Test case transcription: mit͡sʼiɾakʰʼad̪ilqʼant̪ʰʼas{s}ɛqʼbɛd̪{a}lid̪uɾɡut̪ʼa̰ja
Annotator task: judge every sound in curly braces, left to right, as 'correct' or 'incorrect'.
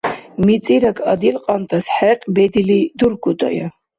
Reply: incorrect: ħ, incorrect: i

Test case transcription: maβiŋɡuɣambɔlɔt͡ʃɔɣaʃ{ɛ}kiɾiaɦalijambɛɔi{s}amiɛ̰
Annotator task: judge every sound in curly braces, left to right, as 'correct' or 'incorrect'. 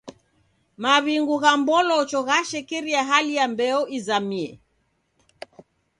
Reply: correct, incorrect: z

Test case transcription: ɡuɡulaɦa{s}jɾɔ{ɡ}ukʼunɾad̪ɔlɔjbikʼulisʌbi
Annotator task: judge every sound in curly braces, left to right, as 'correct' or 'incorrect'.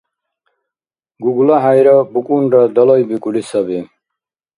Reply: incorrect: none, incorrect: b

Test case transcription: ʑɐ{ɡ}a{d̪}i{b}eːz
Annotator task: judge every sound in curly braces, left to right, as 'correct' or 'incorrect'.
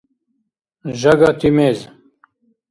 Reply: correct, incorrect: t̪, incorrect: m

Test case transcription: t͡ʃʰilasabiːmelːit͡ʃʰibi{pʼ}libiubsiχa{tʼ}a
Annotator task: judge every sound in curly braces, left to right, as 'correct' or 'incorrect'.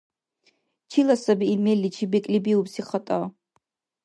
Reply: incorrect: kʼ, correct

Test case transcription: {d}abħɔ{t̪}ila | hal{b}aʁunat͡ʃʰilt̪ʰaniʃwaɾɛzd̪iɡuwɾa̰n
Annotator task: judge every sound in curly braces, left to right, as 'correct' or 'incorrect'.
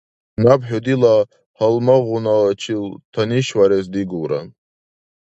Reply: incorrect: n, incorrect: d̪, incorrect: m

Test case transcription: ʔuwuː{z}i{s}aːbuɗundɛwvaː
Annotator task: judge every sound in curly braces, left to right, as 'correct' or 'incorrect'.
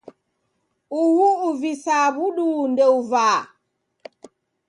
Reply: incorrect: v, correct

